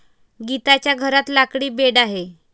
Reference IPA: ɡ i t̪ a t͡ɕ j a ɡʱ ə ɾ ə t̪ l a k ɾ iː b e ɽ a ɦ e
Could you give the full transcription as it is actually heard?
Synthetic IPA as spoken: ɡ i t̪ a t͡ɕ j a ɡʱ ə ɾ a t̪ l a k ɽ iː b e ɽ a ɦ e